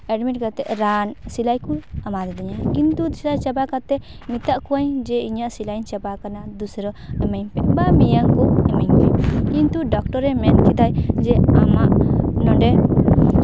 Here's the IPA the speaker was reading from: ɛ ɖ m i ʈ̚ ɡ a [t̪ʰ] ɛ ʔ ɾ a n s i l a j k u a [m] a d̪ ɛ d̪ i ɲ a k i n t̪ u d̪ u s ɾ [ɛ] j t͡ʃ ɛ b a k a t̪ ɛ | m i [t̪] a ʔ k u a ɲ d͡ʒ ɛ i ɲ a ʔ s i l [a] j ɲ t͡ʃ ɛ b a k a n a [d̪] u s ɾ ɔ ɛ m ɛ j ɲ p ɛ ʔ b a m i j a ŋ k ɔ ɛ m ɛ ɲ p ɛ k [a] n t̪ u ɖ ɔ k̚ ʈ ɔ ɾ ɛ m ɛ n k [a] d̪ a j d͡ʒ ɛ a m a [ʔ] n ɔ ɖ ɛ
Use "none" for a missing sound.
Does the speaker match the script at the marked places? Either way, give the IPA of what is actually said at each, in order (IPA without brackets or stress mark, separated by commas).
t̪, m, a, t̪, a, d̪, i, i, ʔ